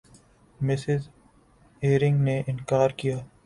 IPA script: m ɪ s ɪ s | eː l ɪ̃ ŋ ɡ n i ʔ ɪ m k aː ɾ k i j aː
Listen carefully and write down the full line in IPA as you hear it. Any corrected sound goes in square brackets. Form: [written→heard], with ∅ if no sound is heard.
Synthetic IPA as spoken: m ɪ s ɪ [s→z] | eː [l→ɾ] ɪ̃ ŋ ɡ n [i→e] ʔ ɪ [m→n] k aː ɾ k i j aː